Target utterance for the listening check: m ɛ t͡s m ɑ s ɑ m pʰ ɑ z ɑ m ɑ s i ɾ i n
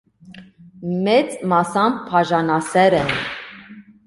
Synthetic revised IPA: m ɛ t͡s m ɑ s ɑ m pʰ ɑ ʒ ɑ n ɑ s ɛ ɾ ɛ n